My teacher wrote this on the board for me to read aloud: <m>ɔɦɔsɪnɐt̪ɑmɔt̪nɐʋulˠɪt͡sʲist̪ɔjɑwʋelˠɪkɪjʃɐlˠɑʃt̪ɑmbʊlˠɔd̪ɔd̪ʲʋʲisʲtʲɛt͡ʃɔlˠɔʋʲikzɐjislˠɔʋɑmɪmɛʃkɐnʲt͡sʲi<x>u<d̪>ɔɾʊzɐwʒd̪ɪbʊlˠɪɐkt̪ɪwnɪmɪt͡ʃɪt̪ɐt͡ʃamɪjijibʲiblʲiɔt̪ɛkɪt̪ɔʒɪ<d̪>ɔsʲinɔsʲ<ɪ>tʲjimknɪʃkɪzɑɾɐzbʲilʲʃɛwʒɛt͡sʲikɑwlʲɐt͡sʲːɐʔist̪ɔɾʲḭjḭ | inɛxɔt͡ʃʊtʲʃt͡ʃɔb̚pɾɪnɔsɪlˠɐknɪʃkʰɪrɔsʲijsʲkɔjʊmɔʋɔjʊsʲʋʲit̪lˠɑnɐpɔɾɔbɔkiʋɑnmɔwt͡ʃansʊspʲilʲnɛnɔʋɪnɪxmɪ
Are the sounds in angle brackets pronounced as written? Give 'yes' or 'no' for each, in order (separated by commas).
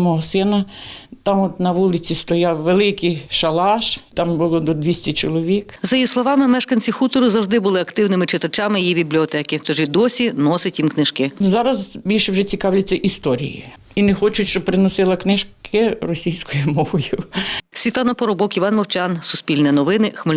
yes, yes, no, yes, yes